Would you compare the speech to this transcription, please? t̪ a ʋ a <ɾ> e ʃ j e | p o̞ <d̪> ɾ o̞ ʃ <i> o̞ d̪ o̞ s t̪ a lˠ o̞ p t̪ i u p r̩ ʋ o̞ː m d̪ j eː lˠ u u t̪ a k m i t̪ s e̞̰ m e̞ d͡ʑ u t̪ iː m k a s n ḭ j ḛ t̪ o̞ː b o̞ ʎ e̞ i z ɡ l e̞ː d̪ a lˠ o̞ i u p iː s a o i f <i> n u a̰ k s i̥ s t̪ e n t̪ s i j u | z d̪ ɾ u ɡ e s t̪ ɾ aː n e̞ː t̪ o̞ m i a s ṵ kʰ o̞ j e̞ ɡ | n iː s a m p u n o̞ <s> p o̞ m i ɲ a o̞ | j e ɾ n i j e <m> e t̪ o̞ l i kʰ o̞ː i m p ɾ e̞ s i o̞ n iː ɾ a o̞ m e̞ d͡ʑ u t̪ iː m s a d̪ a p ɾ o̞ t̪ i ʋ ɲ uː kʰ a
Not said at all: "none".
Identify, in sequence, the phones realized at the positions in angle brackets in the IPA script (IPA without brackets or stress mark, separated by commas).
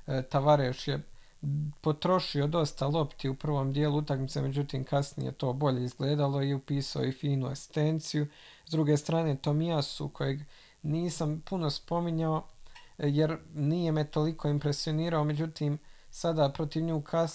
ɾ, t̪, i, iː, s, m